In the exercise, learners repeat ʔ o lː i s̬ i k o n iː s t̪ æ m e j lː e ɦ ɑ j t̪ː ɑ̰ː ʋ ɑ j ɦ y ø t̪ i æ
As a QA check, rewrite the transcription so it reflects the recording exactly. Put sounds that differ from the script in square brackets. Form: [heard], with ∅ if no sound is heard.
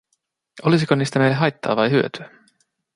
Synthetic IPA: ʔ o [l] i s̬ i k o n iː s t̪ æ m e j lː e ɦ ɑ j t̪ː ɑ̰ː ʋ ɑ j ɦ y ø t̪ [y] æ